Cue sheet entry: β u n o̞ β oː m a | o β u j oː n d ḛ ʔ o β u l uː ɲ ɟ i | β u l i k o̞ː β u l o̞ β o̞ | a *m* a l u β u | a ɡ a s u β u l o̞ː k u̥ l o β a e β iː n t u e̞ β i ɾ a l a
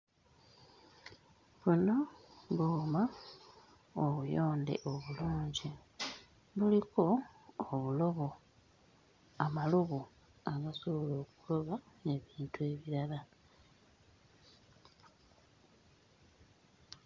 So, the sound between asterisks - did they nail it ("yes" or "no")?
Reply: yes